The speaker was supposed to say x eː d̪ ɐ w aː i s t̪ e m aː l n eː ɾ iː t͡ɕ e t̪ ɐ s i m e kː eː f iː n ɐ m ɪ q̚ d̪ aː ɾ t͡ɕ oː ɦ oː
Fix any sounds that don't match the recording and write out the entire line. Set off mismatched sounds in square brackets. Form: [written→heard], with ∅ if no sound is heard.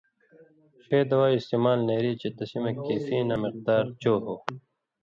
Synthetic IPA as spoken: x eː d̪ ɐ w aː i s t̪ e m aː l n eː ɾ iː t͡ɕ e t̪ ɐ s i m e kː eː f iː n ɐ m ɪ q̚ d̪ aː ɾ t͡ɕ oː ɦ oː